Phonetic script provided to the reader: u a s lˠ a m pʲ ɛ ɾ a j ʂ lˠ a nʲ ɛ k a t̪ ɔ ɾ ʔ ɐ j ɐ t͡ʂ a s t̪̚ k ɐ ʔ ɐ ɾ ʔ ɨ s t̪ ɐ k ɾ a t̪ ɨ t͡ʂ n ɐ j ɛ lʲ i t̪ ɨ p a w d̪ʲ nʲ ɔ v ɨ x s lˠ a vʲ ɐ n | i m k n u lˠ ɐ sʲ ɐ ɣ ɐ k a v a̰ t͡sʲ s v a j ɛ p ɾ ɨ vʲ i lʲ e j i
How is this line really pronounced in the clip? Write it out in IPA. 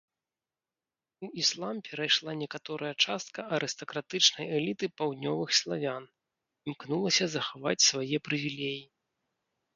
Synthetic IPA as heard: u i s lˠ a m pʲ ɛ ɾ a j ʂ lˠ a nʲ ɛ k a t̪ ɔ ɾ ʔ ɐ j ɐ t͡ʂ a s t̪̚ k ɐ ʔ ɐ ɾ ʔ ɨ s t̪ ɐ k ɾ a t̪ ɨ t͡ʂ n ɐ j ɛ lʲ i t̪ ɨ p a w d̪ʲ nʲ ɔ v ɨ x s lˠ a vʲ a n | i m k n u lˠ ɐ sʲ ɐ z ɐ x a v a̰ t͡sʲ s v a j ɛ p ɾ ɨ vʲ i lʲ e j i